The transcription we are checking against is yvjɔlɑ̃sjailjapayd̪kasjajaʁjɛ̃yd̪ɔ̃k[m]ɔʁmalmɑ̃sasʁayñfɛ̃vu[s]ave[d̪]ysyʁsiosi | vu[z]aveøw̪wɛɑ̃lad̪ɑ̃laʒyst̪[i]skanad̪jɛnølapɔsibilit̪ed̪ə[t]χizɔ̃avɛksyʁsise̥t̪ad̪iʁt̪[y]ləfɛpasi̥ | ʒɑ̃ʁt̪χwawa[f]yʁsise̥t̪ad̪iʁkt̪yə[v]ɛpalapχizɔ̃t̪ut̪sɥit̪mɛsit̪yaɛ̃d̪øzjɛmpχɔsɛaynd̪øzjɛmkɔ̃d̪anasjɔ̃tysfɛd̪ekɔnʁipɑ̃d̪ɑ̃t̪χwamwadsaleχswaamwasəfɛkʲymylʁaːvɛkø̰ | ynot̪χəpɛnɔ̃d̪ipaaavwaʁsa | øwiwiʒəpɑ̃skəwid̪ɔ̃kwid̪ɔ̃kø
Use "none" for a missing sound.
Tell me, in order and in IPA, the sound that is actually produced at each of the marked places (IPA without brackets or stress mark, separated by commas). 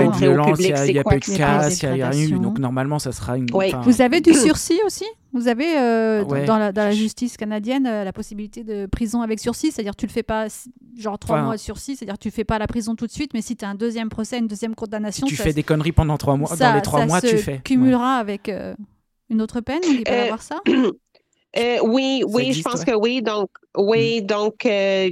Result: n, z, d̪, z, i, p, y, s, f